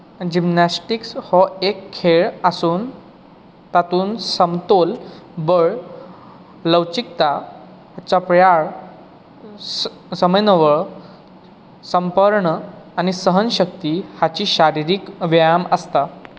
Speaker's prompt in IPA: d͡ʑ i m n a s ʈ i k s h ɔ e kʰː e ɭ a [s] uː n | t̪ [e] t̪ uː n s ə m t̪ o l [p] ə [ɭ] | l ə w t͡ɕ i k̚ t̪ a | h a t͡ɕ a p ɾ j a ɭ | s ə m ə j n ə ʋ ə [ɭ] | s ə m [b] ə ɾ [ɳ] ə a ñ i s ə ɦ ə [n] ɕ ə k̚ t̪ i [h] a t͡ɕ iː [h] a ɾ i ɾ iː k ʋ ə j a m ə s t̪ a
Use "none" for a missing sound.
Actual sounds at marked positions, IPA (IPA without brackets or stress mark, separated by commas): s, a, b, ɭ, ɭ, p, ɳ, n, h, ɕ